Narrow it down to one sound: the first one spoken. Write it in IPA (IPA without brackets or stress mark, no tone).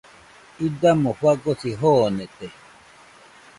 i